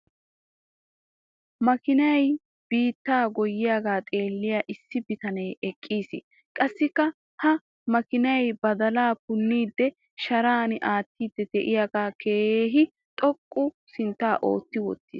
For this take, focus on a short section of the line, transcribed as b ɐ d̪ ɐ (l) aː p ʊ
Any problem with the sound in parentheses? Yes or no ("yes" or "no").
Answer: no